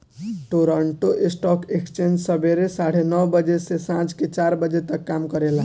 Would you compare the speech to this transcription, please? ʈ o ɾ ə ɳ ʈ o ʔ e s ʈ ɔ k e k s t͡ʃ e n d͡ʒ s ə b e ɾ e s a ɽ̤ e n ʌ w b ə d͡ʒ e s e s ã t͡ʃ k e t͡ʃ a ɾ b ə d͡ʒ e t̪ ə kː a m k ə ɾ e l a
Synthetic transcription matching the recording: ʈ o ɾ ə ɳ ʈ o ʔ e s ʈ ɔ k e k s t͡ʃ e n d͡ʒ s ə b e ɾ e s a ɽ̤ e n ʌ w b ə d͡ʒ e s e s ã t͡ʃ k e t͡ʃ a ɾ b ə d͡ʒ e t̪ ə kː a m k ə ɾ e l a

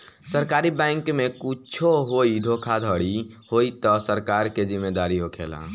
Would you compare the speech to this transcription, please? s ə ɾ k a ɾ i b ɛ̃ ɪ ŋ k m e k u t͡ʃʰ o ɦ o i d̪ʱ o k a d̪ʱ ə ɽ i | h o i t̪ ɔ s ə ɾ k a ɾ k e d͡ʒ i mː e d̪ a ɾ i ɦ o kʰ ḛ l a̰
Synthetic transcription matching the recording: s ə ɾ k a ɾ i b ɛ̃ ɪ ŋ k m e k u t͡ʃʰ o ɦ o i d̪ʱ o kʰ a d̪ʱ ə ɽ i | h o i t̪ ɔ s ə ɾ k a ɾ k e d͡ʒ i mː e d̪ a ɾ i ɦ o kʰ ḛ l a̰

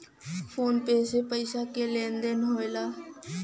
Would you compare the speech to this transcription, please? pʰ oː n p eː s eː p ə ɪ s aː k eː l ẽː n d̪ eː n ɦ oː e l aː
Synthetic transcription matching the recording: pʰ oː n p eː s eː p ə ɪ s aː k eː l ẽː n d̪ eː n ɦ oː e l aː

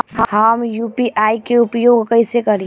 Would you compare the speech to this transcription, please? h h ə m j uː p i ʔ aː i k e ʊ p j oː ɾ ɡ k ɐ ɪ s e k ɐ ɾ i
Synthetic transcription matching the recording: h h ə m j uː p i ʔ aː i k e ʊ p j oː ɡ k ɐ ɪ s e k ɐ ɾ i

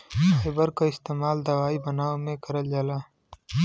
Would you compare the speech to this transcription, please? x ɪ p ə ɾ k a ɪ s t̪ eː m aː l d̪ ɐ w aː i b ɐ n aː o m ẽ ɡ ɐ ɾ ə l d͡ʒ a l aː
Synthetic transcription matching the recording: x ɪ b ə ɾ k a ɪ s t̪ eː m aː l d̪ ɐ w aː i b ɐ n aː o m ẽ k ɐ ɾ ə l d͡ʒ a l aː

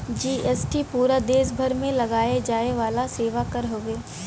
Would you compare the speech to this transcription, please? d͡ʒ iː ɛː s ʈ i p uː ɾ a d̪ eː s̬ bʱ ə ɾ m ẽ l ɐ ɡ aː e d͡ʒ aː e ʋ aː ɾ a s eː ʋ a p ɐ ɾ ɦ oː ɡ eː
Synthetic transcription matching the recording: d͡ʒ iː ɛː s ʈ i p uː ɾ a d̪ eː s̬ bʱ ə ɾ m ẽ l ɐ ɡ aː e d͡ʒ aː e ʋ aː l a s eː ʋ a k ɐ ɾ ɦ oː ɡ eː

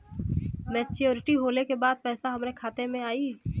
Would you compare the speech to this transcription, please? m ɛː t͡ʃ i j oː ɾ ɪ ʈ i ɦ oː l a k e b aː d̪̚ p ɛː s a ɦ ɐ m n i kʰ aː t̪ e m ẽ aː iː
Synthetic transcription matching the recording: m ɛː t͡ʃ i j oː ɾ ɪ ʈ i ɦ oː l e k e b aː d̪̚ p ɛː s a ɦ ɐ m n e kʰ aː t̪ e m ẽ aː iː

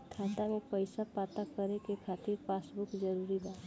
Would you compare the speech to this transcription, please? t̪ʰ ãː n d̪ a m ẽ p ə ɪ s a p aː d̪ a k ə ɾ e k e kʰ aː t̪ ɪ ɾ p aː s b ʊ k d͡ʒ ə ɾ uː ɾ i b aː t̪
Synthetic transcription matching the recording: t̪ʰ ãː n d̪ a m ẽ p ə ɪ s a p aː t̪ a k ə ɾ e k e kʰ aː t̪ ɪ ɾ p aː s b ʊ k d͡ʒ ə ɾ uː ɾ i b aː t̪

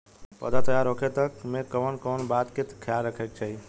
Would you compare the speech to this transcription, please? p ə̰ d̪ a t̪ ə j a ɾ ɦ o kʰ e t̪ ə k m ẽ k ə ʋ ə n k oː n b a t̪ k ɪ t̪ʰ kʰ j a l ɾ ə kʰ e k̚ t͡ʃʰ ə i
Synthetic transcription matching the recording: p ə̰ d̪ a t̪ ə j a ɾ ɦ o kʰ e t̪ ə k m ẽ k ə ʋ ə n k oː n b a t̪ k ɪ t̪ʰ kʰ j a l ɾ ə kʰ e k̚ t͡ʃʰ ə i

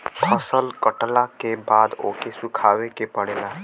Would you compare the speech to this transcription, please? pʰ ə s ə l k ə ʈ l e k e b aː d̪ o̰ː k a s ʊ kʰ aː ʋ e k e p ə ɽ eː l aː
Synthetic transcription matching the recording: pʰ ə s ə l k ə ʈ l a k e b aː d̪ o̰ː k e s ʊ kʰ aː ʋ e k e p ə ɽ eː l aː

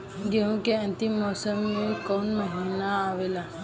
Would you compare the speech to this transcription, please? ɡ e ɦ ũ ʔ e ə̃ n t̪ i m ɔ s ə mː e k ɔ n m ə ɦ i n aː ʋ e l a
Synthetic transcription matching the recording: ɡ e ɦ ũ k e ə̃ n t̪ i m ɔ s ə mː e k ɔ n m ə ɦ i n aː ʋ e l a

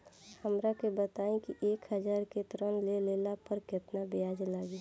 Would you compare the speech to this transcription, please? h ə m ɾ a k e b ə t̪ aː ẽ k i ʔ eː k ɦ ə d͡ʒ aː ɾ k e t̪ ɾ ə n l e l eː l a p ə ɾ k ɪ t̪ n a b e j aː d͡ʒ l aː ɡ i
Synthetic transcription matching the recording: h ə m ɾ a k e b ə t̪ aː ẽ k i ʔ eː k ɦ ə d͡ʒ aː ɾ k e t̪ ɾ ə n l e l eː l a p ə ɾ k ɪ t̪ n a b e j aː d͡ʒ l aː ɡ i

